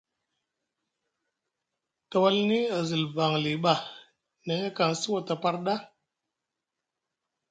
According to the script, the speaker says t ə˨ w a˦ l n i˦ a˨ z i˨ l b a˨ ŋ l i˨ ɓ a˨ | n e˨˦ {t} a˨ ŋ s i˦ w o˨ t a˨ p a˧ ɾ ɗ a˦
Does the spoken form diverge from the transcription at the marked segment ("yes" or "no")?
yes